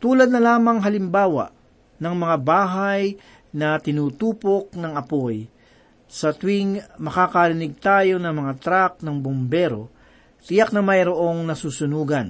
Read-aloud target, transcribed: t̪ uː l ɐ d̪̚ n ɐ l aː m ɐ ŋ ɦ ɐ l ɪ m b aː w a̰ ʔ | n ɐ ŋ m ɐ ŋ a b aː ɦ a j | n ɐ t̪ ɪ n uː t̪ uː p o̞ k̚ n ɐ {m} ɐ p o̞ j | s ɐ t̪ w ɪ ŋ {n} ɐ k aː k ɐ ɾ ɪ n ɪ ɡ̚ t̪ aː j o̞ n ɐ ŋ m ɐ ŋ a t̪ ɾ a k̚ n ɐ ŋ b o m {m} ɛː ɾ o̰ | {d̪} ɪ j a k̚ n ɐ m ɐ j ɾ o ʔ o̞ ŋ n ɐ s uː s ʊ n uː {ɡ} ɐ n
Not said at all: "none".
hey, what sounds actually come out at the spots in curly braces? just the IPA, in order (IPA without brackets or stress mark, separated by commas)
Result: ŋ, m, b, t̪, ɡ